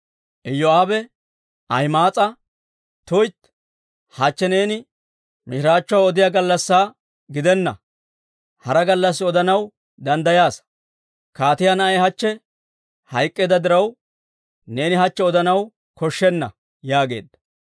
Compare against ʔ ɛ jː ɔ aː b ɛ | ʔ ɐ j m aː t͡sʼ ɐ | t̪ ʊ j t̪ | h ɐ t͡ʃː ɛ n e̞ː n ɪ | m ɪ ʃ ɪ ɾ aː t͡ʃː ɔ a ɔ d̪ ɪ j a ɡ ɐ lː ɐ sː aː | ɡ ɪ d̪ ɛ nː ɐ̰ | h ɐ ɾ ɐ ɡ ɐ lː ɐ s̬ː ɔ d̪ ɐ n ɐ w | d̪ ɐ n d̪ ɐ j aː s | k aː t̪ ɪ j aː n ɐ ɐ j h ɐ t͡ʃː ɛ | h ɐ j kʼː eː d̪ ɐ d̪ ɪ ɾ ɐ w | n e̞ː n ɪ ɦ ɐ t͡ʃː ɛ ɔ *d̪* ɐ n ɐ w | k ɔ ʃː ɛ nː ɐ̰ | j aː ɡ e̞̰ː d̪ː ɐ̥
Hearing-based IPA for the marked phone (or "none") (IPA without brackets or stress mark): d̪